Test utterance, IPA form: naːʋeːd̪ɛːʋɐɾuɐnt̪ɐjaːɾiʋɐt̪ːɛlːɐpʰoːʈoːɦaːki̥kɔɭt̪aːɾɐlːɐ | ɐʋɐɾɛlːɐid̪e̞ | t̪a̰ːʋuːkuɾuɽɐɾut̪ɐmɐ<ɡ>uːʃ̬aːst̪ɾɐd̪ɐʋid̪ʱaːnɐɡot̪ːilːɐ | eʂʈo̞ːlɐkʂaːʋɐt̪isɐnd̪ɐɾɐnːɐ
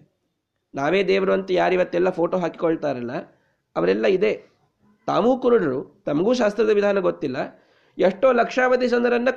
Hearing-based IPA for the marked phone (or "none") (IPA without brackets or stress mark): ɡ